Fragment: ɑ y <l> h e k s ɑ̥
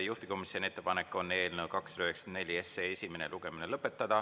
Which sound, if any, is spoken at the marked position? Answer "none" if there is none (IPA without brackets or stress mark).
none